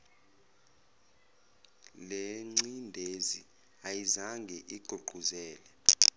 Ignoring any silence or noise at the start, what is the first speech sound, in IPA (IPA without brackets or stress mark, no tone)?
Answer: l